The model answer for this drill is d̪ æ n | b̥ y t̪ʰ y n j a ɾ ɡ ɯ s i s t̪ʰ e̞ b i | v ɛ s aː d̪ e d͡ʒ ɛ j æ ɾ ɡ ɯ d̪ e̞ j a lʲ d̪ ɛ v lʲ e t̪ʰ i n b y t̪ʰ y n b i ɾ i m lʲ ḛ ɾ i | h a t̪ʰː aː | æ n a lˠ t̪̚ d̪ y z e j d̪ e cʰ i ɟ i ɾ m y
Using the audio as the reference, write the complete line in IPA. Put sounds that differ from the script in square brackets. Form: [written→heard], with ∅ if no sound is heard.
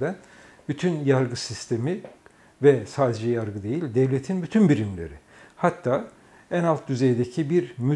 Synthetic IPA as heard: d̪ æ n | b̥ y t̪ʰ y n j a ɾ ɡ ɯ s i s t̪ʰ e̞ [b→m] i | v ɛ s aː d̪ e d͡ʒ ɛ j [æ→a] ɾ ɡ ɯ d̪ e̞ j [a→i] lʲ d̪ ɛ v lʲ e t̪ʰ i n b y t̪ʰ y n b i ɾ i m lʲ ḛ ɾ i | h a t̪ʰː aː | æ n a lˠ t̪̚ d̪ y z e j d̪ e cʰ i [ɟ→b] i ɾ m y